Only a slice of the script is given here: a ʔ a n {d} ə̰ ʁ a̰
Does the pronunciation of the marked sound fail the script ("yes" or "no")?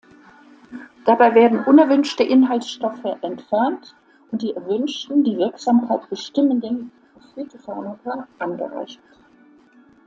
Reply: yes